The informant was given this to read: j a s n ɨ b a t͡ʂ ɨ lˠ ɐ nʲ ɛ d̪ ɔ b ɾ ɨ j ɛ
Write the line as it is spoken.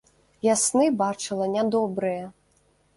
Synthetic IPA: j a s n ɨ b a t͡ʂ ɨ lˠ ɐ nʲ a d̪ ɔ b ɾ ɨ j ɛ